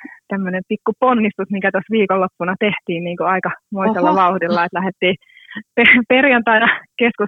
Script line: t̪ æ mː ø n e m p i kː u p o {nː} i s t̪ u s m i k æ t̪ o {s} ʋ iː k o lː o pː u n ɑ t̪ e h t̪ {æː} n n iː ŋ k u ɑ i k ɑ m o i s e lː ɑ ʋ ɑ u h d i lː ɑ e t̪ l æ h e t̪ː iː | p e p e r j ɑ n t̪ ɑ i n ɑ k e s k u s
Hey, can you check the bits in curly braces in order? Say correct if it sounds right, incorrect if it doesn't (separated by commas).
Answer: correct, correct, incorrect